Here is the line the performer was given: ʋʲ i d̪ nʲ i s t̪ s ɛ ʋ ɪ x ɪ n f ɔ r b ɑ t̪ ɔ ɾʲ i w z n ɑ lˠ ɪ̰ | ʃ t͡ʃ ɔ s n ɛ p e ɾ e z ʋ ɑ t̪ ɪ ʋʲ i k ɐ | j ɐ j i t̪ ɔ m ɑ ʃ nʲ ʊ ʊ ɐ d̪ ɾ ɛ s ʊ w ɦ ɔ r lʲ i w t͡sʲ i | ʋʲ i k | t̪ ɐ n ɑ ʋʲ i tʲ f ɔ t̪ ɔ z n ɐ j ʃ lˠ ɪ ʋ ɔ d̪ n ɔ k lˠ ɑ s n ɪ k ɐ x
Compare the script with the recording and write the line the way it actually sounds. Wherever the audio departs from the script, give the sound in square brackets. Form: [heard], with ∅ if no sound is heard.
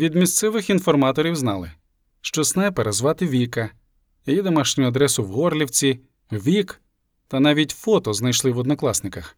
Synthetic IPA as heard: ʋʲ i d̪ [mʲ] i s t̪ s ɛ ʋ ɪ x [i] n f ɔ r [m] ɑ t̪ ɔ ɾʲ i w z n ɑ lˠ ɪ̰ | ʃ t͡ʃ ɔ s n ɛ p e ɾ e z ʋ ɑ t̪ ɪ ʋʲ i k ɐ | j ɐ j i [d̪] ɔ m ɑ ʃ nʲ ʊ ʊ ɐ d̪ ɾ ɛ s ʊ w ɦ ɔ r lʲ i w t͡sʲ i | ʋʲ i k | t̪ ɐ n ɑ ʋʲ i tʲ f ɔ t̪ ɔ z n ɐ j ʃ lˠ ɪ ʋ ɔ d̪ n ɔ k lˠ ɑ s n ɪ k ɐ x